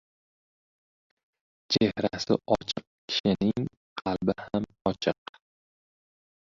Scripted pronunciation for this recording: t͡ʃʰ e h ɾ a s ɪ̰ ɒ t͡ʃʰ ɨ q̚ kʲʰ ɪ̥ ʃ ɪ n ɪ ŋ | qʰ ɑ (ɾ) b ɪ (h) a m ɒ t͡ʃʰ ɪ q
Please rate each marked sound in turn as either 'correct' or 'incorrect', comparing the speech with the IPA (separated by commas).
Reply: incorrect, correct